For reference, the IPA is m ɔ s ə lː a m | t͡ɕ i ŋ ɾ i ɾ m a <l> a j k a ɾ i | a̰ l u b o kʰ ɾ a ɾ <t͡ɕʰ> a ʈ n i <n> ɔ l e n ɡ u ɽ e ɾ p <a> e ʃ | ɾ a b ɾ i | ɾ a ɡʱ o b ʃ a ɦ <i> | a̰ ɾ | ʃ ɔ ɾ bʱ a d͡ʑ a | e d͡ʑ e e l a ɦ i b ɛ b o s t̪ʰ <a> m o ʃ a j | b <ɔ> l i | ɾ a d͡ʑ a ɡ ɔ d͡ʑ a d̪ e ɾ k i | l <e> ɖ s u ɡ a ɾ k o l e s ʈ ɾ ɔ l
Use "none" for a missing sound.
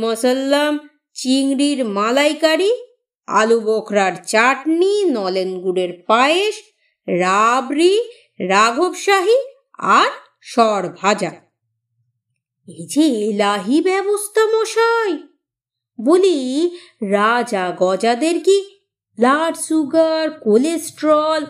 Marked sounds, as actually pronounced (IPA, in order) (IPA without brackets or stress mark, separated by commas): l, t͡ɕ, n, a, i, a, o, a